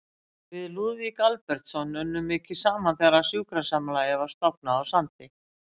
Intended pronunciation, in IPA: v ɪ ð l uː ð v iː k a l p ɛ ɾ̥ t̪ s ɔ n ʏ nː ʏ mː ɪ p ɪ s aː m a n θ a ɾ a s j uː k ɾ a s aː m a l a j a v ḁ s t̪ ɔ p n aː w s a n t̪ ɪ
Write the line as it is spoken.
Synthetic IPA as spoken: v ɪ ð l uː ð v i k a l p ɛ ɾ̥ t̪ s ɔ n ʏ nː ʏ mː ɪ c ɪ s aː m a n θ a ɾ a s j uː k ɾ a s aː m a l a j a v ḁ s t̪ ɔ p n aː w s a n t̪ ɪ